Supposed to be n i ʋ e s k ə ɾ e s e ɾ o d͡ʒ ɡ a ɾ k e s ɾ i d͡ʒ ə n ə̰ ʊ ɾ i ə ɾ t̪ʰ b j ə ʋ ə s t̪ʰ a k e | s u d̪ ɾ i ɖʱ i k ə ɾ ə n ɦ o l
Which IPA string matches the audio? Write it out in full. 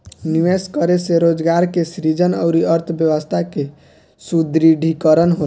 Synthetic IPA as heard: n i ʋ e s k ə ɾ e s e ɾ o d͡ʒ ɡ a ɾ k e s ɾ i d͡ʒ ə n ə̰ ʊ ɾ i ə ɾ t̪ʰ b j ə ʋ ə s t̪ʰ a k e | s u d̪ ɾ i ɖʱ i k ə ɾ ə n ɦ o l